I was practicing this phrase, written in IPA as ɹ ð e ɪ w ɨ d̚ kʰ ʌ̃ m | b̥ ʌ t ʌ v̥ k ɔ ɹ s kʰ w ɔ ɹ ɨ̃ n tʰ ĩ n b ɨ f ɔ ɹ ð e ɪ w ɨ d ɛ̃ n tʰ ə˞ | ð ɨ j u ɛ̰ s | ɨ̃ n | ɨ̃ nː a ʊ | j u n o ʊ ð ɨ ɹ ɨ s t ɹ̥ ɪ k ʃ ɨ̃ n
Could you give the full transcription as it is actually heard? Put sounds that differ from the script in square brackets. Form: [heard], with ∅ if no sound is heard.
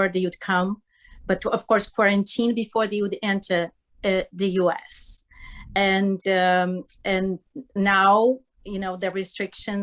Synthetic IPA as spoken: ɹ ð e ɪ w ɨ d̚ kʰ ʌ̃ m | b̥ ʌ t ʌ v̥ k ɔ ɹ s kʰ w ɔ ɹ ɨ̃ n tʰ ĩ n b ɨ f ɔ ɹ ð e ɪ w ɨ d ɛ̃ n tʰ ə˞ | ð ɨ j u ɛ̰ s | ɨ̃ n | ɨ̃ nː a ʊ | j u n o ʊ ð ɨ ɹ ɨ s t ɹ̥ ɪ k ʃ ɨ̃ n